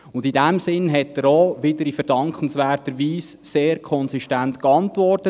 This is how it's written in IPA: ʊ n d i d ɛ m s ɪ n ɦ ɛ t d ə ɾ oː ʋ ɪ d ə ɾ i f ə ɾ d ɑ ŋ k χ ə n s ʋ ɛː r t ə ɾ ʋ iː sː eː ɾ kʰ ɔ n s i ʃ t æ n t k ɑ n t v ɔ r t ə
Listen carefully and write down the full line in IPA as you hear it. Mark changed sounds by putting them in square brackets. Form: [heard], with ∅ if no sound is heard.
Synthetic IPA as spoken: ʊ n d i d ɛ m s ɪ n ɦ ɛ t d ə ɾ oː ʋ ɪ d ə ɾ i f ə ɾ d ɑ ŋ k χ ə n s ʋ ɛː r t ə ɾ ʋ iː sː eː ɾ kʰ ɔ n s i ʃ t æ n t k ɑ n t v ɔ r t ə